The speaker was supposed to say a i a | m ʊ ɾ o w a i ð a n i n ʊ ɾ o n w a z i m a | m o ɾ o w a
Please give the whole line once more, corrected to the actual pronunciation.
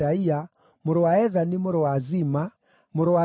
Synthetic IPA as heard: a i a | m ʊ ɾ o w a ɛ ð a n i m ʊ ɾ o w a z i m a | m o ɾ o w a